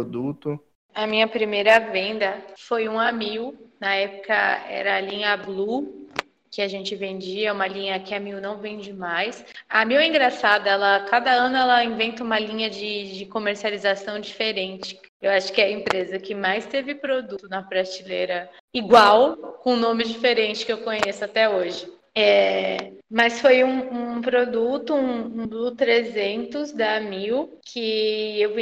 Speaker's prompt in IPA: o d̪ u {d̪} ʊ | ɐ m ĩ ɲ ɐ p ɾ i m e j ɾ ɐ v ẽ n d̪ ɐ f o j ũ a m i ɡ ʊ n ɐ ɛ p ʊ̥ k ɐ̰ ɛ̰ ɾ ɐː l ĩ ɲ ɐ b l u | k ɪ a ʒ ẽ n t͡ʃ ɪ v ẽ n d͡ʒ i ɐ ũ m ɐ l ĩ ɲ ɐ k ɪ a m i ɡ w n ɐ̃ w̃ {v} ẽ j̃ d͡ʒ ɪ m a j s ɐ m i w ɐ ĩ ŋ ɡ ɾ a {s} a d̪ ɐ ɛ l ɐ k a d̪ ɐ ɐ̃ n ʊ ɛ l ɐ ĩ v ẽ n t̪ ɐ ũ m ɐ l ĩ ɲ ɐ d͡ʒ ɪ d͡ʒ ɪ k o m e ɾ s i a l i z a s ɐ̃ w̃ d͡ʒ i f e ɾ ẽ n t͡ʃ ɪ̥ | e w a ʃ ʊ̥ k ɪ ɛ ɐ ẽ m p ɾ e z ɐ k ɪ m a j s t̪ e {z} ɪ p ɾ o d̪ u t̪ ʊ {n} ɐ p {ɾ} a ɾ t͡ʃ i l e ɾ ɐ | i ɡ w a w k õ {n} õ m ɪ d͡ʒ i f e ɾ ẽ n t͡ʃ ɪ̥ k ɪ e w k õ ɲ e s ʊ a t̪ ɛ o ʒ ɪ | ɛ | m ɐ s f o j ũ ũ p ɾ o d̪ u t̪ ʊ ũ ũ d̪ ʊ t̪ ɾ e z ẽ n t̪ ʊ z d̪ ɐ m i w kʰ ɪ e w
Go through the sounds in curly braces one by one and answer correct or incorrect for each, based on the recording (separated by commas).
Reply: incorrect, correct, correct, incorrect, correct, correct, correct